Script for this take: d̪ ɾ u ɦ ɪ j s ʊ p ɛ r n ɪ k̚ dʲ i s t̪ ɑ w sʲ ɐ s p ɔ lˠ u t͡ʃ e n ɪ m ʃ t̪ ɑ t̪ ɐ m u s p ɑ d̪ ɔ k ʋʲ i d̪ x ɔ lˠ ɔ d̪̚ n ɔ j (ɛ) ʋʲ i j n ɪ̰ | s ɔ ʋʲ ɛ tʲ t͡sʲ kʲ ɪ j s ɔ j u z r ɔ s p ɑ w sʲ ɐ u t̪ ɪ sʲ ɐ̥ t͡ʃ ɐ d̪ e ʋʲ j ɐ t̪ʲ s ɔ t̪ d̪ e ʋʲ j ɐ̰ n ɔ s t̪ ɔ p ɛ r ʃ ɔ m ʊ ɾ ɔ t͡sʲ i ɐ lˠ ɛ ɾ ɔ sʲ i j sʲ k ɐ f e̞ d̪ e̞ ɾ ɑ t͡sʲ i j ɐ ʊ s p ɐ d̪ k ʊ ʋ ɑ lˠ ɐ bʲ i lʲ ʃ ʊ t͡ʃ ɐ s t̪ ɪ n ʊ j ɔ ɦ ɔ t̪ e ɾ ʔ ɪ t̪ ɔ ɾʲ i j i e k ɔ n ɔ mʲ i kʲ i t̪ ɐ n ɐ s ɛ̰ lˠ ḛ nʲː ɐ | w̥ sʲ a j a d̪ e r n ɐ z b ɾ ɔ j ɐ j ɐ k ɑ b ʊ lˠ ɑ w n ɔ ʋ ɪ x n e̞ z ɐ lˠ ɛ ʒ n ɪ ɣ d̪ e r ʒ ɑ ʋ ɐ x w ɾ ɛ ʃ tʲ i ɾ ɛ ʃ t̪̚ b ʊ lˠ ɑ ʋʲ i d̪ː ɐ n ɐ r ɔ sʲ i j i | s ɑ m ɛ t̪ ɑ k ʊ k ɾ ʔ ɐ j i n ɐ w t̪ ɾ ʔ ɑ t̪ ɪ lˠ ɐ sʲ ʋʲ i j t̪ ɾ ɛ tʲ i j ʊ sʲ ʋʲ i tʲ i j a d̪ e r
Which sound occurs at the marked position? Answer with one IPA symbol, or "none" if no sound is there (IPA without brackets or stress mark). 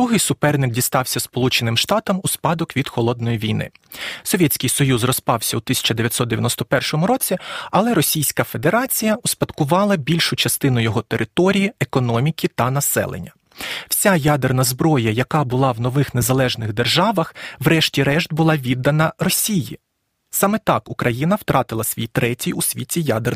i